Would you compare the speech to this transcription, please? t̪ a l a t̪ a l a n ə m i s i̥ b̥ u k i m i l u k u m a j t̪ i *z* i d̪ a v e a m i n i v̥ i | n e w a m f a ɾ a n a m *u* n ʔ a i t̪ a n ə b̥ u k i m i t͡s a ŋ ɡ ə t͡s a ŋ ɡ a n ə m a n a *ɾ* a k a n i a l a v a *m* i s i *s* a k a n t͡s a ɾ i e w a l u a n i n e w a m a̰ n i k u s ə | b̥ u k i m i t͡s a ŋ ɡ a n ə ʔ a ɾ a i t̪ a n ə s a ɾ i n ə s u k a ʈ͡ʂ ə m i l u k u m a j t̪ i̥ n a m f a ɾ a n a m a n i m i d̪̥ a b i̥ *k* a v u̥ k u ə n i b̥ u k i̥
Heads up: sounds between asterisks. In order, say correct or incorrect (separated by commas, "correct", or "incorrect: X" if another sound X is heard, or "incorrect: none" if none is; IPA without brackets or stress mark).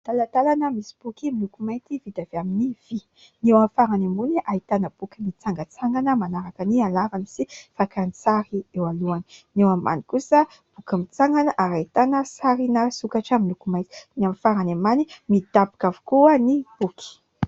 incorrect: v, correct, correct, incorrect: n, incorrect: f, correct